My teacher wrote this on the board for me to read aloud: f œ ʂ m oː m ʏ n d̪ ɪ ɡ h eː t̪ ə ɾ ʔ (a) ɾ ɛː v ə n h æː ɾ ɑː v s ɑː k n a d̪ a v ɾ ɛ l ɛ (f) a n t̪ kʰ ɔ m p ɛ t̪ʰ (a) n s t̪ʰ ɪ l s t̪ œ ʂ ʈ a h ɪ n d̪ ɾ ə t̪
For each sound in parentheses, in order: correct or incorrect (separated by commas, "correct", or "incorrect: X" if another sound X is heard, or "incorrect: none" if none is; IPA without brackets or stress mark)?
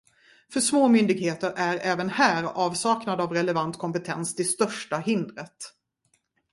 incorrect: æ, incorrect: v, incorrect: ɛ